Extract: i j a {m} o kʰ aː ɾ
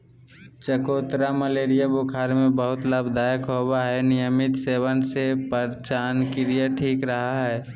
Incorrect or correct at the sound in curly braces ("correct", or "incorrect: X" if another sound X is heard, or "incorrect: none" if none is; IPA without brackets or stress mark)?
incorrect: b